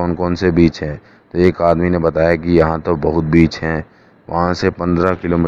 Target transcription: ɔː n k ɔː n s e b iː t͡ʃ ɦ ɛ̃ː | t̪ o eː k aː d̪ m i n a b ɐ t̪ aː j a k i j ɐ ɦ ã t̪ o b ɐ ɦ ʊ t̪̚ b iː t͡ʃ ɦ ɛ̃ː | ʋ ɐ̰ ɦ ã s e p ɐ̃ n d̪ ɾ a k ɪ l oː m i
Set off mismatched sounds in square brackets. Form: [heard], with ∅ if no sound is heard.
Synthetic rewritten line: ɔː n k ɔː n s e b iː t͡ʃ ɦ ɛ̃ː | t̪ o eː k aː d̪ m i n [e] b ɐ t̪ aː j a k i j ɐ ɦ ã t̪ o b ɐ ɦ ʊ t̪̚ b iː t͡ʃ ɦ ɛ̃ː | ʋ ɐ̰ ɦ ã s e p ɐ̃ n d̪ ɾ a k ɪ l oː m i